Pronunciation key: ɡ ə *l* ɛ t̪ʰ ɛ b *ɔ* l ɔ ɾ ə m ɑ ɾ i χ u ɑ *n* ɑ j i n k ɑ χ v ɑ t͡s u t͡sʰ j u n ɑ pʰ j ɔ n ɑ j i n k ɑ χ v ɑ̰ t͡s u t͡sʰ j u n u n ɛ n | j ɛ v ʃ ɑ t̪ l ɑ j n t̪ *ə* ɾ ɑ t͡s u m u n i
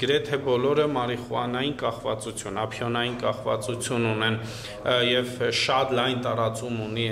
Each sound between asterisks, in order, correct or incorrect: incorrect: ɾ, correct, correct, incorrect: ɑ

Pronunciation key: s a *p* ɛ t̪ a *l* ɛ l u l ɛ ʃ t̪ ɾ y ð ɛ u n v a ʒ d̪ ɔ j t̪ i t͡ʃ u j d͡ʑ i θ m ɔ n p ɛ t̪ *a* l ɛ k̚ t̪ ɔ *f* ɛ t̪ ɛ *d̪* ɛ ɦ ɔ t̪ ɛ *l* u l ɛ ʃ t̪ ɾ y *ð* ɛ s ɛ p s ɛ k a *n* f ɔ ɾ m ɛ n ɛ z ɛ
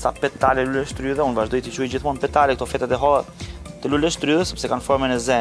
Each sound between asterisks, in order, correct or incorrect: correct, correct, correct, correct, incorrect: t̪, correct, correct, correct

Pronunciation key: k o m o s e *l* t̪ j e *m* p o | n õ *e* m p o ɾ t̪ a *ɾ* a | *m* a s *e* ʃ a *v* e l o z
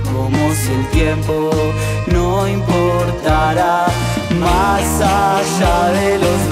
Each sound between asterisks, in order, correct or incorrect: correct, correct, incorrect: i, correct, correct, incorrect: a, incorrect: ð

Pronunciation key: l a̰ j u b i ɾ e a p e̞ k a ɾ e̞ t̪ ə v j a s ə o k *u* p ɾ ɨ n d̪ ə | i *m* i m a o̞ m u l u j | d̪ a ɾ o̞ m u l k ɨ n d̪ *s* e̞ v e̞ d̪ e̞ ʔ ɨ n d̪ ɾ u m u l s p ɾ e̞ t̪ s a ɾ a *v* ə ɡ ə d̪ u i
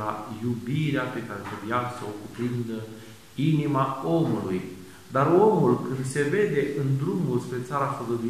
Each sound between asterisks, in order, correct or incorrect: correct, incorrect: n, correct, incorrect: f

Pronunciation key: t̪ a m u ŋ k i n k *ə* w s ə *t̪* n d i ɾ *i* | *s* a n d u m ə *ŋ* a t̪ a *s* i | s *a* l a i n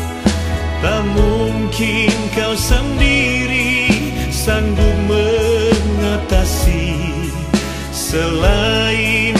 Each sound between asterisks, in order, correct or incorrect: incorrect: a, incorrect: none, correct, correct, correct, correct, incorrect: ə

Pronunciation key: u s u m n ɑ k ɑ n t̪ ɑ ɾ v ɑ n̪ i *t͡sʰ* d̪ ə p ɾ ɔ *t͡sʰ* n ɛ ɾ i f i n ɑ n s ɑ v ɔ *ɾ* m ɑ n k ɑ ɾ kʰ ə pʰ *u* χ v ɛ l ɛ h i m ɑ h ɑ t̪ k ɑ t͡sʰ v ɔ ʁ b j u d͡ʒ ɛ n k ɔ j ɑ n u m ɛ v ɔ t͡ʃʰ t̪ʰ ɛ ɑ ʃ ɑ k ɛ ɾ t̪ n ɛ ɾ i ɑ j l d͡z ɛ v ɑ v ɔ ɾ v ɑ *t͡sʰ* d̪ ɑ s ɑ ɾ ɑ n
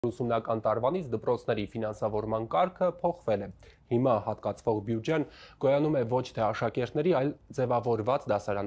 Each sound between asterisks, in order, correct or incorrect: correct, correct, correct, incorrect: ɔ, incorrect: t͡s

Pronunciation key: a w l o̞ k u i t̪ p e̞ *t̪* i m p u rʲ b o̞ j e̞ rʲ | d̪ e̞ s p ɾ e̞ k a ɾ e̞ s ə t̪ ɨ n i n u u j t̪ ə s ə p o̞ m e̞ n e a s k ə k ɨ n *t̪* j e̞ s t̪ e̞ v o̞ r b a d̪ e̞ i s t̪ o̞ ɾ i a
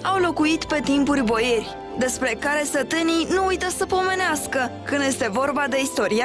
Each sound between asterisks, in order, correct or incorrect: correct, incorrect: d̪

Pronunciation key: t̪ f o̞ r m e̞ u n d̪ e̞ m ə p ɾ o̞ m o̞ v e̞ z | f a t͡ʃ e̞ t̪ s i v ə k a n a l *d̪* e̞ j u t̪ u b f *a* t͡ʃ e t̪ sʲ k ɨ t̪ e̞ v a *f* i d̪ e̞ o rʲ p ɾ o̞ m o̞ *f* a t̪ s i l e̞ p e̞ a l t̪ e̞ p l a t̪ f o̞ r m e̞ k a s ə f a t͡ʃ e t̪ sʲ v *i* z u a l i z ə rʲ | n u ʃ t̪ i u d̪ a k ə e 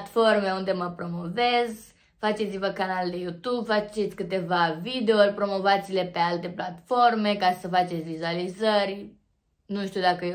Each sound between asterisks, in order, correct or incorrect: correct, correct, incorrect: v, incorrect: v, correct

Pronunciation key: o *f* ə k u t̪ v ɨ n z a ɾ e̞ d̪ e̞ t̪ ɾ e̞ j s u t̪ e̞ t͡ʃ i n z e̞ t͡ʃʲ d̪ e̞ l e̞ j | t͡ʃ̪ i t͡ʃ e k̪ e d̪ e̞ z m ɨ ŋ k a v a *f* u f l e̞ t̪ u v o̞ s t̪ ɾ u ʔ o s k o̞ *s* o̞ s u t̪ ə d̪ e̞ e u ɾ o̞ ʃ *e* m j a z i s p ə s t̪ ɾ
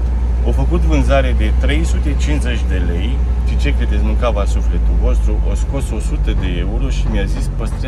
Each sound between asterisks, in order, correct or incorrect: correct, incorrect: s, correct, incorrect: i

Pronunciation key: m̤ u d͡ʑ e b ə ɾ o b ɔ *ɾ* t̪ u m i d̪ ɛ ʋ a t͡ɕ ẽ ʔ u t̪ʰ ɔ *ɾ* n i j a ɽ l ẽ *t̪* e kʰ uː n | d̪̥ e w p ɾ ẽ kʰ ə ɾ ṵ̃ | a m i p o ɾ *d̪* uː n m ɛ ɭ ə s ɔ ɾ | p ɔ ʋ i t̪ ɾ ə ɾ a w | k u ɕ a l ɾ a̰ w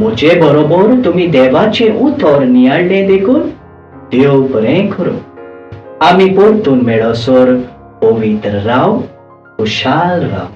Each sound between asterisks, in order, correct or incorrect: correct, correct, incorrect: d̪, incorrect: t̪

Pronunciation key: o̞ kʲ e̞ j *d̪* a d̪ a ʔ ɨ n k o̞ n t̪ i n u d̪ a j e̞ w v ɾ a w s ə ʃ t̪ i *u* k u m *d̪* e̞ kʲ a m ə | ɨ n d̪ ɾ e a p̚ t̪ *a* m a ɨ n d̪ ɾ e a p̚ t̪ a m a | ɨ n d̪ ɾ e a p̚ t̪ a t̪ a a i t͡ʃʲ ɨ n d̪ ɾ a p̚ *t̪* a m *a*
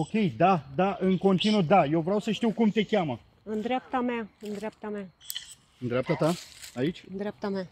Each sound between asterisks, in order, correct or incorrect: correct, incorrect: w, incorrect: t̪, correct, correct, correct

